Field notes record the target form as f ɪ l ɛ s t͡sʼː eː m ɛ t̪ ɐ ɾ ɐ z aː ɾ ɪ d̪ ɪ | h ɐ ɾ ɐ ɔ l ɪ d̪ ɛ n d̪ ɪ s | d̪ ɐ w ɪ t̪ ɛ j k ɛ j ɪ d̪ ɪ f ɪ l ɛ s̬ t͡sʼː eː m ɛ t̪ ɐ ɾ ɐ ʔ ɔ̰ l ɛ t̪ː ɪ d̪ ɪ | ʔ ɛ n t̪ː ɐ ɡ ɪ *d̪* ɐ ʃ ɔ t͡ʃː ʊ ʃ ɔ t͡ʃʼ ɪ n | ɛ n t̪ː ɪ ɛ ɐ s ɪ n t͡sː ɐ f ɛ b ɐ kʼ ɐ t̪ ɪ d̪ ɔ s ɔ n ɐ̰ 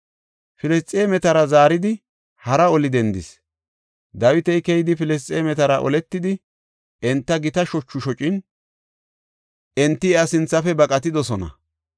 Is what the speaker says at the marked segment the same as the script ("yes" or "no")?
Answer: no